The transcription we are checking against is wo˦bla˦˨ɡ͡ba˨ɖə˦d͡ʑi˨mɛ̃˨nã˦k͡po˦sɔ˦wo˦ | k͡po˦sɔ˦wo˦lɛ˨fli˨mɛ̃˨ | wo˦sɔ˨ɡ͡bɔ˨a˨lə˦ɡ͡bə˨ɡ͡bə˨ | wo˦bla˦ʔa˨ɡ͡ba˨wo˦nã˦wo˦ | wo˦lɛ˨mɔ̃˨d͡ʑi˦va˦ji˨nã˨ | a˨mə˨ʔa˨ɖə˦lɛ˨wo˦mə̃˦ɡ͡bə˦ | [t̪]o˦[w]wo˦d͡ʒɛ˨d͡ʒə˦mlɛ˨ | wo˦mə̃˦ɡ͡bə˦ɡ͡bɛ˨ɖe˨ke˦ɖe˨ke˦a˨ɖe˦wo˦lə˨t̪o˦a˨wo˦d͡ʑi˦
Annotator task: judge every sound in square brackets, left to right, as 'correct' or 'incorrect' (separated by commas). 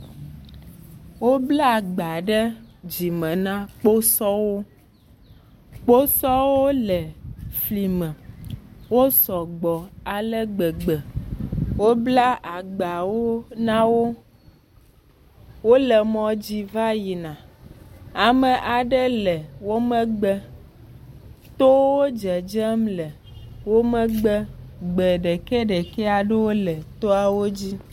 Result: correct, correct